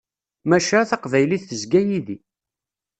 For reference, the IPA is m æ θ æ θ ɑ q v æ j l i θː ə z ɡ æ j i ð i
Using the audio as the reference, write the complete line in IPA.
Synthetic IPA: m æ ʃ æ θ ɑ q v æ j l i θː ə z ɡ æ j i ð i